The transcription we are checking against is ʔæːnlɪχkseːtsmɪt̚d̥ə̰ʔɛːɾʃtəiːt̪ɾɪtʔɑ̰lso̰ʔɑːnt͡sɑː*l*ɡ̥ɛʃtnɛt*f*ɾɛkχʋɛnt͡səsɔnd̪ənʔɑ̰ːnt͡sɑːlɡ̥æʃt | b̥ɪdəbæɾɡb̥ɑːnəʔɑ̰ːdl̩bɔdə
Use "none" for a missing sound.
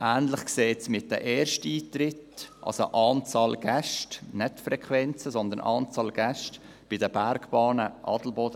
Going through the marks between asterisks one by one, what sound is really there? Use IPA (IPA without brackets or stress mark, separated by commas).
l, f